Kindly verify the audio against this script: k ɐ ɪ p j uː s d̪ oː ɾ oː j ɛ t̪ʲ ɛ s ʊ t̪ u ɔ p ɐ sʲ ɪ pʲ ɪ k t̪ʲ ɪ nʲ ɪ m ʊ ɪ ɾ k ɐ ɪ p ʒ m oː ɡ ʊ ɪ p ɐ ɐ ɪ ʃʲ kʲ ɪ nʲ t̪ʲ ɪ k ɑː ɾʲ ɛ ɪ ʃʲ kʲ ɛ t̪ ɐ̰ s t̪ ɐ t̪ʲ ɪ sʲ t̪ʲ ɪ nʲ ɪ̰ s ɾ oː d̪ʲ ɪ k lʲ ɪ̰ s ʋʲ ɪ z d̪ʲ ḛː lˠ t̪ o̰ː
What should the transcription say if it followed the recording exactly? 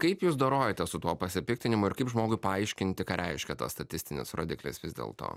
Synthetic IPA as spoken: k ɐ ɪ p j uː s d̪ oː ɾ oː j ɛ t̪ʲ ɛ s ʊ t̪ u ɔ p ɐ sʲ ɪ pʲ ɪ k t̪ʲ ɪ nʲ ɪ m ʊ ɪ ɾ k ɐ ɪ p ʒ m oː ɡ ʊ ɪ p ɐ ɐ ɪ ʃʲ kʲ ɪ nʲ t̪ʲ ɪ k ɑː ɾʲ ɛ ɪ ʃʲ kʲ ɛ t̪ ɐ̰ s t̪ ɐ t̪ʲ ɪ sʲ t̪ʲ ɪ nʲ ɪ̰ s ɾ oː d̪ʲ ɪ k lʲ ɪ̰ s ʋʲ ɪ z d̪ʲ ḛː lˠ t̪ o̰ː